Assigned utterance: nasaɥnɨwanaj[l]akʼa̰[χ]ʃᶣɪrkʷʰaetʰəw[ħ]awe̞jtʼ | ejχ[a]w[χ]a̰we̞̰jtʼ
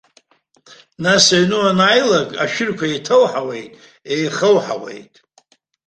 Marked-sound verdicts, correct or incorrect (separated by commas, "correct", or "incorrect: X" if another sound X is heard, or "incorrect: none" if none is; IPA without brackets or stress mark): correct, incorrect: none, correct, incorrect: ə, incorrect: ħ